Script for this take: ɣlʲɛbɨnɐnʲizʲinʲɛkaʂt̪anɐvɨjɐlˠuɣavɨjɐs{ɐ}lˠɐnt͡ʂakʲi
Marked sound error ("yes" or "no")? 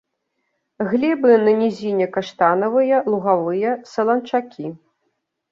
no